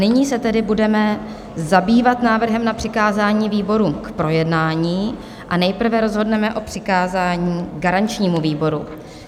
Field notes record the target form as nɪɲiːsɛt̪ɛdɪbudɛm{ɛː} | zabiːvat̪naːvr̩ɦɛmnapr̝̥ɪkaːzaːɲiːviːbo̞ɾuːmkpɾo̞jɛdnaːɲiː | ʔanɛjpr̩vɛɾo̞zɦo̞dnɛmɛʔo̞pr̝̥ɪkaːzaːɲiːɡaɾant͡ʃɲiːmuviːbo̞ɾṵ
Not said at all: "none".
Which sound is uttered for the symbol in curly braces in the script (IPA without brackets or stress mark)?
ɛ